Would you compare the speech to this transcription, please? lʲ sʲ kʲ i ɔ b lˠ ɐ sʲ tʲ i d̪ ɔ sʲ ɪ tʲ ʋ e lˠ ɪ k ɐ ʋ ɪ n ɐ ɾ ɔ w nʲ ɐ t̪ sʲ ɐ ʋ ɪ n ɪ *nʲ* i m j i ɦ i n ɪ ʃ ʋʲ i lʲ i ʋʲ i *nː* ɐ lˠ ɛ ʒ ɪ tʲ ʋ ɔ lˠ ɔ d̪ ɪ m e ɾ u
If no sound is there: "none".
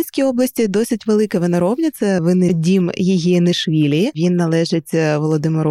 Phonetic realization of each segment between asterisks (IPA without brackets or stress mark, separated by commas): dʲ, nː